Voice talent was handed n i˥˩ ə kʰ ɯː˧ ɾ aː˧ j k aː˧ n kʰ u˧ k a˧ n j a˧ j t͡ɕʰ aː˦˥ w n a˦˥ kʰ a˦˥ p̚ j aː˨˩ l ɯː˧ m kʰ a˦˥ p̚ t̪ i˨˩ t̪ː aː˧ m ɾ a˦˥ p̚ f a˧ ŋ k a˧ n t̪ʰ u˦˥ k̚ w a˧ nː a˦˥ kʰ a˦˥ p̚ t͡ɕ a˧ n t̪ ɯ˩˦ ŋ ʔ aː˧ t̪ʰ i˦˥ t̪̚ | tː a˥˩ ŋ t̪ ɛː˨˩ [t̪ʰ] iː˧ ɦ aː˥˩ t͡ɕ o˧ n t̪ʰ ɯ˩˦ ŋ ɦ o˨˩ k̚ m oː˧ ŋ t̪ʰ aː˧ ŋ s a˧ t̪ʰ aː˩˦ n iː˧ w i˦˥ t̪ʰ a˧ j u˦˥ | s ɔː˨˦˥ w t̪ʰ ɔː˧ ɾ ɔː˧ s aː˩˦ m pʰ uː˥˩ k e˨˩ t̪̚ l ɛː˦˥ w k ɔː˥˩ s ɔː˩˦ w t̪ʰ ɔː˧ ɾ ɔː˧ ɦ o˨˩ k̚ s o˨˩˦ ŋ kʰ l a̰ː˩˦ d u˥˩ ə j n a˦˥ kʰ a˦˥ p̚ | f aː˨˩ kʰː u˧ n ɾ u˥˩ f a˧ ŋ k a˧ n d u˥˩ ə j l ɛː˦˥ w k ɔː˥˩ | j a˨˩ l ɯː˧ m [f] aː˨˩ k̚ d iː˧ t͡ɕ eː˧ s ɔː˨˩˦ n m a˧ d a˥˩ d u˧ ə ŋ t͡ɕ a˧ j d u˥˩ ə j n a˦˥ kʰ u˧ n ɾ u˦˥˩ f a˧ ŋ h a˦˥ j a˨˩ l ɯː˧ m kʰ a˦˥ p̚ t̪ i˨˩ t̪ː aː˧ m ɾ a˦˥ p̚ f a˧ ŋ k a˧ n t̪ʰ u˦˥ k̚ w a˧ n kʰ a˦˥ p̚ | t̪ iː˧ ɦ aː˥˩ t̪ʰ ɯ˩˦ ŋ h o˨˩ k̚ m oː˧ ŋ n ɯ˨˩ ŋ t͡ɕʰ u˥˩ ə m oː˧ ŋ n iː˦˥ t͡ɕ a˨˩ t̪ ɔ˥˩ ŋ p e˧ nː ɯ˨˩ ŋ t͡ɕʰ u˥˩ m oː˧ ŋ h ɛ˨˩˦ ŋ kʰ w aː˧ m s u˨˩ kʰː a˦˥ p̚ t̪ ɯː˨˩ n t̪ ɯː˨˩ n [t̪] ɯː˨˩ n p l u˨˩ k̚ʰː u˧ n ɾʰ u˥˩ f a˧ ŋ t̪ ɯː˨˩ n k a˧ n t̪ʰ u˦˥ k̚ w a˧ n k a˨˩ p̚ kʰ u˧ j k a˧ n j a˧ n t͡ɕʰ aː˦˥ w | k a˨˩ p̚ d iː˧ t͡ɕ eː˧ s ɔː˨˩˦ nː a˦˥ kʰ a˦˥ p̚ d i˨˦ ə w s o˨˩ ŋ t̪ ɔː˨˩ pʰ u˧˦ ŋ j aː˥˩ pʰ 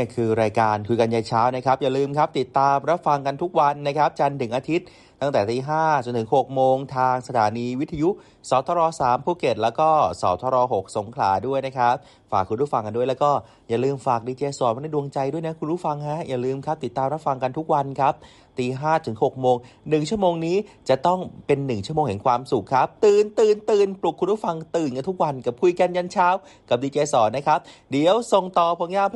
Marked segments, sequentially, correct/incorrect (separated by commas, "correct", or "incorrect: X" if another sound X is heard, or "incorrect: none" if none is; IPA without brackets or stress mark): incorrect: t̪, correct, correct